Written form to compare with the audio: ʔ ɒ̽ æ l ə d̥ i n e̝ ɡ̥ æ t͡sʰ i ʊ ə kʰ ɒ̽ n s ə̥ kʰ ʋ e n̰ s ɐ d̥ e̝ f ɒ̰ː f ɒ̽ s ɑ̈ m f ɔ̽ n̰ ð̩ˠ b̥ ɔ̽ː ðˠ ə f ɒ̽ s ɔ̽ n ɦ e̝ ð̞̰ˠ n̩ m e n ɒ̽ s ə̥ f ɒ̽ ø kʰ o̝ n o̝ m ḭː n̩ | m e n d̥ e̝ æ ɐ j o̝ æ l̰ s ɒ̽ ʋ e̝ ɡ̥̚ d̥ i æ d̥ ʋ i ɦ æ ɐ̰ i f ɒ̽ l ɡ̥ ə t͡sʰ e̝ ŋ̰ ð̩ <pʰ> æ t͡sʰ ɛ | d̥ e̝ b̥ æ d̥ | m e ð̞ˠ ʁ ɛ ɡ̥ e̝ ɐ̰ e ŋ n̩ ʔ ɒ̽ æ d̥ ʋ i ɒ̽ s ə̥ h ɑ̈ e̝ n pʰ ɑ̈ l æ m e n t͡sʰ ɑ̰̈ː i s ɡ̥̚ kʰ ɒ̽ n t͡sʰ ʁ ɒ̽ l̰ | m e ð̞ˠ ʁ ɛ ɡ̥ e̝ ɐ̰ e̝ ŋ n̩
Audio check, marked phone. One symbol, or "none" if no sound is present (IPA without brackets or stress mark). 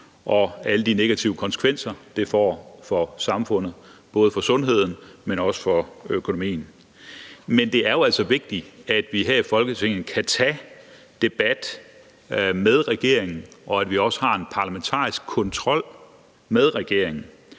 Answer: kʰ